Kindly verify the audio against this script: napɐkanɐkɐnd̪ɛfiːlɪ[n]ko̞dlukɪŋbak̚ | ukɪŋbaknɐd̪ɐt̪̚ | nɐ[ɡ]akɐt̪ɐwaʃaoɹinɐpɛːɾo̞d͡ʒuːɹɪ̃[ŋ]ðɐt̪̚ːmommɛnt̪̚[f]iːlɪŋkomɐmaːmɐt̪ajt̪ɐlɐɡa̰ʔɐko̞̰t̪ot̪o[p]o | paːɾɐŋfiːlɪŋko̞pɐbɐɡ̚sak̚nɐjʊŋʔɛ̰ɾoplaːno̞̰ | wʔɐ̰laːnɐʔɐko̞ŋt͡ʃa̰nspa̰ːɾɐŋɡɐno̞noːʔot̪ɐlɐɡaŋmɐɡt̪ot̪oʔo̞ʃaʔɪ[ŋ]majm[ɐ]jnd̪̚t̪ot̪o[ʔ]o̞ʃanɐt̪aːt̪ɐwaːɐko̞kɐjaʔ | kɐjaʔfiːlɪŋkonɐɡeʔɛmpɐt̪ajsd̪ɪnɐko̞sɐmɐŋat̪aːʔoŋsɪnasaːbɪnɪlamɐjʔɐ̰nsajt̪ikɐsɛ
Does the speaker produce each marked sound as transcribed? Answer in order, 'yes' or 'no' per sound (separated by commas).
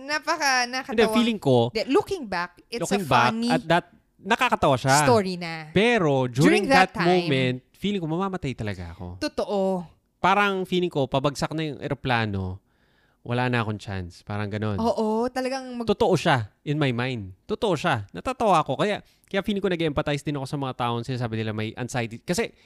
no, no, yes, yes, no, no, no, yes